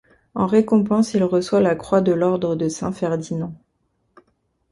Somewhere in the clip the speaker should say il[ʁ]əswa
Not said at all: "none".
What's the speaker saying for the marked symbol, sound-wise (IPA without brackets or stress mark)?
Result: ʁ